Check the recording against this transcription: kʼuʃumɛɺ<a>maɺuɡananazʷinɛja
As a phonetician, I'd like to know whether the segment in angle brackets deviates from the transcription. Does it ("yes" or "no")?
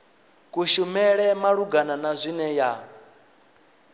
yes